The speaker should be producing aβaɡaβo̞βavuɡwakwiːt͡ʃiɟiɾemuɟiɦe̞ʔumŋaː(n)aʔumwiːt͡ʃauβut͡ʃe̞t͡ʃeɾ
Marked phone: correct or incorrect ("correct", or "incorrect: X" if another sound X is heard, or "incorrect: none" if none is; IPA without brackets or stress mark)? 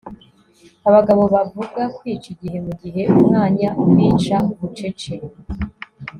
incorrect: ɲ